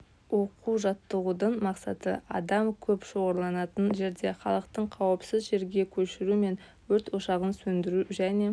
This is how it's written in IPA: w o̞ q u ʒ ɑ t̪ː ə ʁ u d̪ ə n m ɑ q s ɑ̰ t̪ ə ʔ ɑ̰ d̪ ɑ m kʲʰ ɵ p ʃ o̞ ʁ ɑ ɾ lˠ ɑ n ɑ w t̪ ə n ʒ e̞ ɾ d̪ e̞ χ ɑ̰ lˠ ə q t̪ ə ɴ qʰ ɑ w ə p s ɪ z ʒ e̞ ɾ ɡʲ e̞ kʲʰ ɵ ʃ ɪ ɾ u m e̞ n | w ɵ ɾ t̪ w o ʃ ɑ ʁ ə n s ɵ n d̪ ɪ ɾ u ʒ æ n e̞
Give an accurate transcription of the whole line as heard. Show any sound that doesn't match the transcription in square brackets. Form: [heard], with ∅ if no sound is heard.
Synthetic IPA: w o̞ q u ʒ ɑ t̪ː ə ʁ u d̪ ə [ɴ] m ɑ q s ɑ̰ t̪ ə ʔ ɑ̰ d̪ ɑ m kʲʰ ɵ p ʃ o̞ ʁ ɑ ɾ lˠ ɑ n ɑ [∅] t̪ ə n ʒ e̞ ɾ d̪ e̞ χ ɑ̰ lˠ ə q t̪ ə ɴ qʰ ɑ w ə p s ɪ z ʒ e̞ ɾ ɡʲ e̞ kʲʰ ɵ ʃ ɪ ɾ u m e̞ n | w ɵ ɾ t̪ w o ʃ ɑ ʁ ə n s ɵ n d̪ ɪ ɾ u ʒ æ n e̞